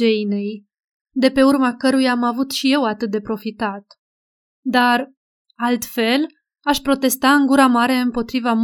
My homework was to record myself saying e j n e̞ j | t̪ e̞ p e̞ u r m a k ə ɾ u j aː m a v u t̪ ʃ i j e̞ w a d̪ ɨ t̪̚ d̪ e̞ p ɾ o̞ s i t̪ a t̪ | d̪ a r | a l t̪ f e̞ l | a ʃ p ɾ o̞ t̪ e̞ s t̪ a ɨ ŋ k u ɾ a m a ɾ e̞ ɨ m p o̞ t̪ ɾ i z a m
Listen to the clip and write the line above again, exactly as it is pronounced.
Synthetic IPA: e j n e̞ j | d̪ e̞ p e̞ u r m a k ə ɾ u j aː m a v u t̪ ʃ i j e̞ w a t̪ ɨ t̪̚ d̪ e̞ p ɾ o̞ f i t̪ a t̪ | d̪ a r | a l t̪ f e̞ l | a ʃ p ɾ o̞ t̪ e̞ s t̪ a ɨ ŋ ɡ u ɾ a m a ɾ e̞ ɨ m p o̞ t̪ ɾ i v a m